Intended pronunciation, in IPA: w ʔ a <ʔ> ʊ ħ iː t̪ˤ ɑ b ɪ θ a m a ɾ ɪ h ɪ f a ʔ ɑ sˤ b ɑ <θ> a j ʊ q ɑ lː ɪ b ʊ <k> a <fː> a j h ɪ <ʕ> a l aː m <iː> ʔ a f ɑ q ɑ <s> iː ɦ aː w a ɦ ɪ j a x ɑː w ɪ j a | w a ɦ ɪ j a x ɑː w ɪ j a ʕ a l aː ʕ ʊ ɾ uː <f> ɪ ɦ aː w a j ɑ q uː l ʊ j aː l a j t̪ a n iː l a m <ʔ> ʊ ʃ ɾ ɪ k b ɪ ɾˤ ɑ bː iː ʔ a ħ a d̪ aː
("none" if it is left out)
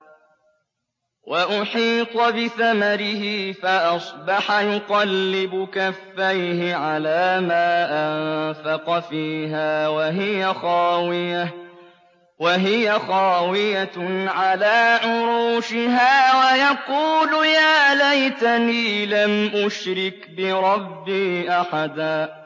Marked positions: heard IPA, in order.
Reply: ʔ, ħ, k, fː, ʕ, aː, f, ʃ, ʔ

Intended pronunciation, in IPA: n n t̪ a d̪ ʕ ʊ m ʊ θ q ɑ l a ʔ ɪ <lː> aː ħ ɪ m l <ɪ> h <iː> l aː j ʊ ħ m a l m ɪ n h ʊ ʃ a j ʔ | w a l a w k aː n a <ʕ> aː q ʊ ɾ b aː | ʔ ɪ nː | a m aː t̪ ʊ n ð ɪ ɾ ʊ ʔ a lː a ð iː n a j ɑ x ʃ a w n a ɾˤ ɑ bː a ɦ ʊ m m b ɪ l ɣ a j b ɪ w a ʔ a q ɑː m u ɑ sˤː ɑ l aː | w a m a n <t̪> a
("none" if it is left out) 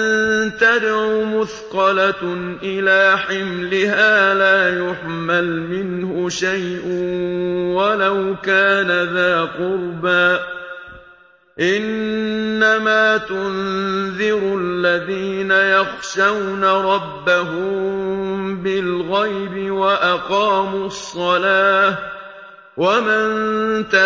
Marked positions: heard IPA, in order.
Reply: l, ɪ, aː, ð, t̪

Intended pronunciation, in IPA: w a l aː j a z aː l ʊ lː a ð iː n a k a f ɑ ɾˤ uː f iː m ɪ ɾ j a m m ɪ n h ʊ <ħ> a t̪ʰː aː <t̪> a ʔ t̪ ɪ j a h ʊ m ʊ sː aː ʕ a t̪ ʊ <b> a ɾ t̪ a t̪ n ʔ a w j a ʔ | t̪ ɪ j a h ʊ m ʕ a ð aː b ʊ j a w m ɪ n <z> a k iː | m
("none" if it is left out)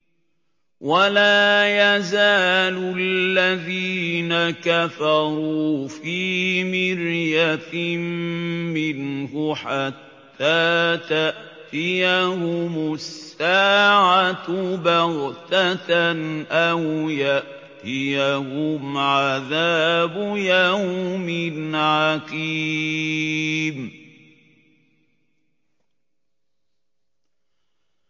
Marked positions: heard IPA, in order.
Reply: ħ, t̪, b, ʕ

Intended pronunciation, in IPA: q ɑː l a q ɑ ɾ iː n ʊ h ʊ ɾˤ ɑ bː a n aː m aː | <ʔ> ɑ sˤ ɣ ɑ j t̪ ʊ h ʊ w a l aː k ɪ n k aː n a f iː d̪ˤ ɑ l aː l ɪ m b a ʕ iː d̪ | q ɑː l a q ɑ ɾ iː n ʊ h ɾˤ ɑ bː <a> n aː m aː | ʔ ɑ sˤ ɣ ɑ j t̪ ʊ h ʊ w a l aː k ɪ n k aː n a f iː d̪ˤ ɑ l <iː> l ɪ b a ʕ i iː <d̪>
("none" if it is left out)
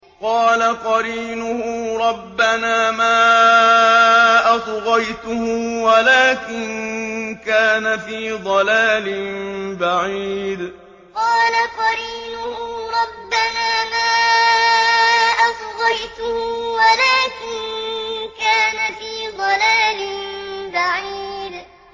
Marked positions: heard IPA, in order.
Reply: ʔ, a, aː, d̪

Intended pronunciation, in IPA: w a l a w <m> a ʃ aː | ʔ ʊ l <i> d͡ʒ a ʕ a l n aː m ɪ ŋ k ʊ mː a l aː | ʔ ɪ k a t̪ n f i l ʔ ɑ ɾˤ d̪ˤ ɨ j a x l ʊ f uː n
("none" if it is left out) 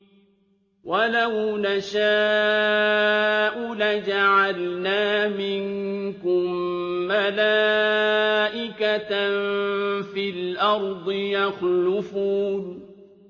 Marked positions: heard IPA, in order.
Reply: n, a

